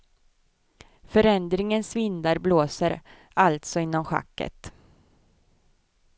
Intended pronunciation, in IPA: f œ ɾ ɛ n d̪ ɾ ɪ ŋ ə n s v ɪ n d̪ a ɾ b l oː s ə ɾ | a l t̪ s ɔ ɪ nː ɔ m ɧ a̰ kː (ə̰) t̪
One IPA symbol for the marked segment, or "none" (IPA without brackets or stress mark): ə̰